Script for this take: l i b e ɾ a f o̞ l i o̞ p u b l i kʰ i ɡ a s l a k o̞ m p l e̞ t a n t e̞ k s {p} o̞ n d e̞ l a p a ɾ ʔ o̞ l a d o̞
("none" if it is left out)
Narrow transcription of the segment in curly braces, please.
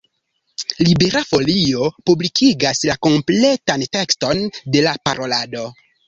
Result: t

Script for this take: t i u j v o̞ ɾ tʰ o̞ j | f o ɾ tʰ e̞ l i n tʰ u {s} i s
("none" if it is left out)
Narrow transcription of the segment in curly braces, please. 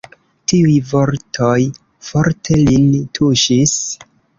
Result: ʃ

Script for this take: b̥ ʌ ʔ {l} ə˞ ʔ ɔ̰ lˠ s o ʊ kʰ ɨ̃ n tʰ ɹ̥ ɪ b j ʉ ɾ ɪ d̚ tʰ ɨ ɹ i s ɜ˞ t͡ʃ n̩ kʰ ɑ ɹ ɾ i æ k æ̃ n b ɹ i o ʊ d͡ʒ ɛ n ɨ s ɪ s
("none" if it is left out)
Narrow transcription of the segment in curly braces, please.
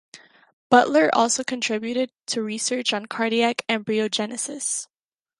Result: l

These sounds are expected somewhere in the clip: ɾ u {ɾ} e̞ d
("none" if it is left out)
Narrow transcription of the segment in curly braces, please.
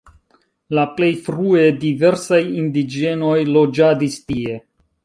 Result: none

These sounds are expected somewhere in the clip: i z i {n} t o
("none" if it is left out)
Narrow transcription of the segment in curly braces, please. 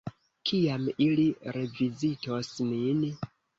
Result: none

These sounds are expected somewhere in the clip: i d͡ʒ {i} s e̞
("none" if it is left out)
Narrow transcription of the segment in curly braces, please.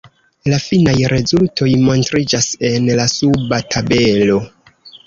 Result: a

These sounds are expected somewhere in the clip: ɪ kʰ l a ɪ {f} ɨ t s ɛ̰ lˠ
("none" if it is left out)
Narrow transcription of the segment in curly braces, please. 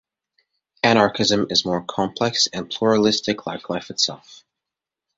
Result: f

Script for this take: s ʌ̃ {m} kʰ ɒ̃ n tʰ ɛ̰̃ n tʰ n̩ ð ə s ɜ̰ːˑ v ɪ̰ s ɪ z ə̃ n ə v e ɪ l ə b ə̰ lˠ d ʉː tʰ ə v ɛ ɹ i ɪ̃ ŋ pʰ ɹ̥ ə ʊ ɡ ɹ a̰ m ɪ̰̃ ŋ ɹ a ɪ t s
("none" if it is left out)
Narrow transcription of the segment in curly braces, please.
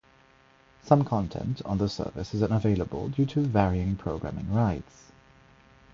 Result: m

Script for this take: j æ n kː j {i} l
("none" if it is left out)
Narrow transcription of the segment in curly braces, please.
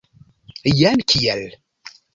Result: æ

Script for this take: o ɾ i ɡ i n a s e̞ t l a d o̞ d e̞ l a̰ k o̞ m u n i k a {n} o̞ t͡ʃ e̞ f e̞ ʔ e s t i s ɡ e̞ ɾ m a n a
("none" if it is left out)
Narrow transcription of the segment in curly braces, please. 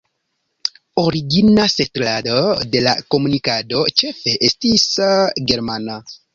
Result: d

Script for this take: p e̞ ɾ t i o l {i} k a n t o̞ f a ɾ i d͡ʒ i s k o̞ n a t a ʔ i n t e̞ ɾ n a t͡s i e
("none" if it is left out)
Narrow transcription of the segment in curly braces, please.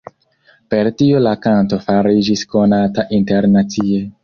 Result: a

